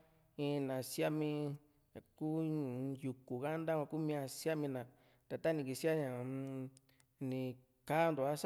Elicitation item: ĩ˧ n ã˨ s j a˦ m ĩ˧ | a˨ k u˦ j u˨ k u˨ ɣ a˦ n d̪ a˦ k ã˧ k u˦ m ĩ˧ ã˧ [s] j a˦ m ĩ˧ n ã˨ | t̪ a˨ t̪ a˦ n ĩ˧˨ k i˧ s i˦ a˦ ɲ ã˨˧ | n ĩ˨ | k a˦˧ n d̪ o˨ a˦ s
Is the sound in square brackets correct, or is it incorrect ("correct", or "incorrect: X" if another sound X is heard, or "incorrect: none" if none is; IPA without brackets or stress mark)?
correct